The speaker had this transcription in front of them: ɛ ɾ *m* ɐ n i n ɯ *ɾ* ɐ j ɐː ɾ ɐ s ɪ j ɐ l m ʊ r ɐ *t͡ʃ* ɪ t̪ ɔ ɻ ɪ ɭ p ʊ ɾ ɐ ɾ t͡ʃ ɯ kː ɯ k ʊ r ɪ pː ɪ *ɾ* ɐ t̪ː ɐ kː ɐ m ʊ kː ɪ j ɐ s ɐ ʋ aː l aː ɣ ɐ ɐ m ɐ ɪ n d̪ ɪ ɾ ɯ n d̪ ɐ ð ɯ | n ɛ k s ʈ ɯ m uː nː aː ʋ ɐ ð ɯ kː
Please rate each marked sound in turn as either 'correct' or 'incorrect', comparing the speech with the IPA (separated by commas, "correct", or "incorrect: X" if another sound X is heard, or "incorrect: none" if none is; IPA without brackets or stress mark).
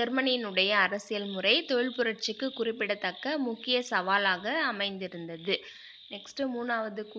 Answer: correct, incorrect: ɽ, incorrect: none, incorrect: ɽ